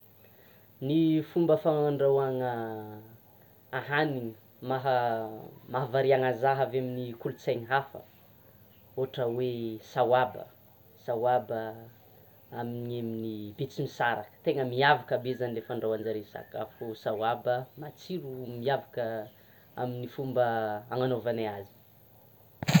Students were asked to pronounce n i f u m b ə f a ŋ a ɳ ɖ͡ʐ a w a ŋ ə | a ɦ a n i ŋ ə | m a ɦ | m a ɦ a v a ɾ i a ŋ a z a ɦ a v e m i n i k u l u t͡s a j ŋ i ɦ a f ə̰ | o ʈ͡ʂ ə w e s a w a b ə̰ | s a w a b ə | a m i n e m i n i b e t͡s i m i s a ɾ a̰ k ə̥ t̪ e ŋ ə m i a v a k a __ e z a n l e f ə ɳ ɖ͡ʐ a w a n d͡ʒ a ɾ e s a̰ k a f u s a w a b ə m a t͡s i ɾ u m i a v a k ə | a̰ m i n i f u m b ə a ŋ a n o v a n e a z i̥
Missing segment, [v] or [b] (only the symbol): b